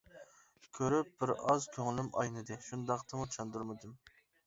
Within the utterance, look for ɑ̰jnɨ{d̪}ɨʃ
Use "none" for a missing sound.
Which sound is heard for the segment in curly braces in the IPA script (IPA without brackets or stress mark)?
d̪